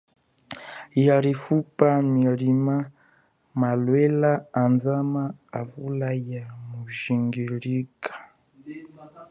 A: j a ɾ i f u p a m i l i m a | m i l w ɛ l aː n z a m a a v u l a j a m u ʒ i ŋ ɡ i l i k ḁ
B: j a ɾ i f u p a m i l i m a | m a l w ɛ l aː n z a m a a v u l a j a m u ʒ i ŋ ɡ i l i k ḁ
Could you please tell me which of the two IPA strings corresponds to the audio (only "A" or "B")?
B